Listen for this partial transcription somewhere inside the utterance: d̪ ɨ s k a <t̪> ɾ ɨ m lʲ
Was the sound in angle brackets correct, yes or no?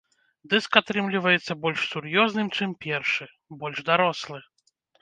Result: yes